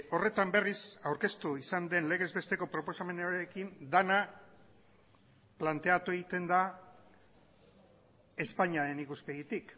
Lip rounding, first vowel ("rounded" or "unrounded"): rounded